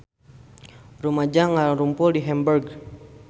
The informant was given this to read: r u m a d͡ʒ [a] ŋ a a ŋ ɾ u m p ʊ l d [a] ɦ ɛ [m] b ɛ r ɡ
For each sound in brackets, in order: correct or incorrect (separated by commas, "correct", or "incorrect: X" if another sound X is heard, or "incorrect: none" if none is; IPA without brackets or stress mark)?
correct, incorrect: i, correct